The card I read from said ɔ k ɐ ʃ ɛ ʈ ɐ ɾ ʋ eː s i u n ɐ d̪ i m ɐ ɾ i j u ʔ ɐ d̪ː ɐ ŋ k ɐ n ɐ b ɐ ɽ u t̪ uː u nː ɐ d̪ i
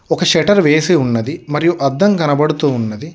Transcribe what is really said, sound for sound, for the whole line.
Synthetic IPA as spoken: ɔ k ɐ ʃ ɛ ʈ ɐ ɾ ʋ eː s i u nː ɐ d̪ i m ɐ ɾ i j u ʔ ɐ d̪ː ɐ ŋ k ɐ n ɐ b ɐ ɽ u t̪ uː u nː ɐ d̪ i